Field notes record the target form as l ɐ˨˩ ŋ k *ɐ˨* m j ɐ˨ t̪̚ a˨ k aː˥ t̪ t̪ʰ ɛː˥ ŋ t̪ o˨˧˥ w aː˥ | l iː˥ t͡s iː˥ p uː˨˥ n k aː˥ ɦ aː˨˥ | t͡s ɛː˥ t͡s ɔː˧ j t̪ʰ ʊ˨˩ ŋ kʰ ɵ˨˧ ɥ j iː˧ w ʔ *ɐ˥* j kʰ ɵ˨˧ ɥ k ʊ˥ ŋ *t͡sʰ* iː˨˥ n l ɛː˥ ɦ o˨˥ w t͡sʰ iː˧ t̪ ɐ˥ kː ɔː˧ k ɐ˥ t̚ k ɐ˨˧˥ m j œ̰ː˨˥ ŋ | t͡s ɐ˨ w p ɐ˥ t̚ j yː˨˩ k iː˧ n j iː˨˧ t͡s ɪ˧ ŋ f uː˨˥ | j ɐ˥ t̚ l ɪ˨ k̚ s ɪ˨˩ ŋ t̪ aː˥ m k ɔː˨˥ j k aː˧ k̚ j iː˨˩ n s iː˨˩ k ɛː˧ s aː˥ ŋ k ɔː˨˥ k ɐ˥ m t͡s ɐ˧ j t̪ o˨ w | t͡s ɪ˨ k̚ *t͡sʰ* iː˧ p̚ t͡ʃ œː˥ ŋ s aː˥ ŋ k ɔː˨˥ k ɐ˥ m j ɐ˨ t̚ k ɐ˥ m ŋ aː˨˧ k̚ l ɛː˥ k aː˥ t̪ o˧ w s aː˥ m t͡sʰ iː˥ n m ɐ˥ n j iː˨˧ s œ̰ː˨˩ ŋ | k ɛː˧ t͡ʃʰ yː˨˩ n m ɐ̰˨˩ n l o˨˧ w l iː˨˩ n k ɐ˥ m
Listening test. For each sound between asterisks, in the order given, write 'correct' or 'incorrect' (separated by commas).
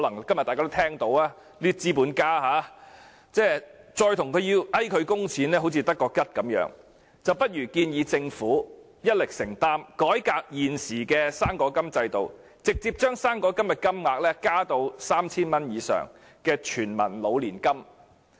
incorrect, correct, correct, incorrect